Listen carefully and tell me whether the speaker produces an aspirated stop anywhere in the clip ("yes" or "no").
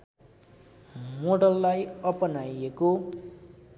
no